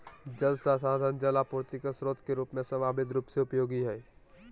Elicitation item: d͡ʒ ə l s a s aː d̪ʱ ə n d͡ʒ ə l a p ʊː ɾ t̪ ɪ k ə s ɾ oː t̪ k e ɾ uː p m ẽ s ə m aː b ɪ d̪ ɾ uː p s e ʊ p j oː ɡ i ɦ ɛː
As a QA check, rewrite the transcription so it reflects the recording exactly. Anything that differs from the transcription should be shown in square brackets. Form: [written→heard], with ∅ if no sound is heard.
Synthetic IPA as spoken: d͡ʒ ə l s a s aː d̪ʱ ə n d͡ʒ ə l a p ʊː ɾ t̪ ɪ k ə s ɾ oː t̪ k e ɾ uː p m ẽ s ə m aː b ɪ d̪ ɾ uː p s e ʊ p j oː ɡ i ɦ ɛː